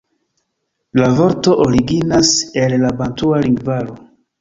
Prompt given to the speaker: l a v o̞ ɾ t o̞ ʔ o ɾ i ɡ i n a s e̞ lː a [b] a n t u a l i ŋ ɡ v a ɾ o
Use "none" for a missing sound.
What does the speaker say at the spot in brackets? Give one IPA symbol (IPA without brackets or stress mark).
b